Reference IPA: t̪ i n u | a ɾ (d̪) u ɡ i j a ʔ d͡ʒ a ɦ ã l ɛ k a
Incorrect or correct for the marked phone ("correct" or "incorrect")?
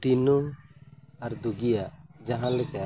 correct